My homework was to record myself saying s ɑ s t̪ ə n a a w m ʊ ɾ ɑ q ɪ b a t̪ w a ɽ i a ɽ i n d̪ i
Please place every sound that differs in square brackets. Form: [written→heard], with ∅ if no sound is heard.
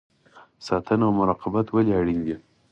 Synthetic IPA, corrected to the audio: s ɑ [s→∅] t̪ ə n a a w m ʊ ɾ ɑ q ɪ b a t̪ w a [ɽ→l] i a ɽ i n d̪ i